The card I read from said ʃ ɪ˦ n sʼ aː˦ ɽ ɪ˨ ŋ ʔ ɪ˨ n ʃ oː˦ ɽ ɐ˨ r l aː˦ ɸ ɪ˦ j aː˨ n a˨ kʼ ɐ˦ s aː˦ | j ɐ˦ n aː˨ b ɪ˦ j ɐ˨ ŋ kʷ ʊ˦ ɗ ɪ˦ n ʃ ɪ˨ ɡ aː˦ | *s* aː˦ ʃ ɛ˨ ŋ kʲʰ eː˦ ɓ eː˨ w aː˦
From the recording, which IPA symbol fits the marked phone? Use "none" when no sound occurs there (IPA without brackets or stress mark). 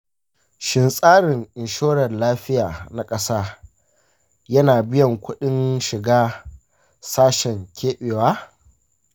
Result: s